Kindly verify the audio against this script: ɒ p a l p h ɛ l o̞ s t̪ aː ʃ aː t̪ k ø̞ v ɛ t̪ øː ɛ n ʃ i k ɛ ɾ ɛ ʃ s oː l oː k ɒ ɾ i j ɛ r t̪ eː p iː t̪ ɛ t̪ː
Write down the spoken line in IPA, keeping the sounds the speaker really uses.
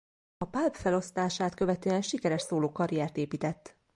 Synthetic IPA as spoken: ɒ p a l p f ɛ l o̞ s t̪ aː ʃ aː t̪ k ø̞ v ɛ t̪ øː ɛ n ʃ i k ɛ ɾ ɛ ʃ s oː l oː k ɒ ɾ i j ɛ r t̪ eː p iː t̪ ɛ t̪ː